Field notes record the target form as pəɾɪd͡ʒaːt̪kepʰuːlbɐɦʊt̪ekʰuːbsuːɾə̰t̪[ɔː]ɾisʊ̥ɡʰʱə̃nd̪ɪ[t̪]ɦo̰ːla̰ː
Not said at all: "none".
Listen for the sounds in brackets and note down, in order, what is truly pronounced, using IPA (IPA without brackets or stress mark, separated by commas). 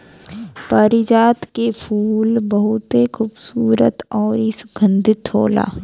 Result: ɔː, t̪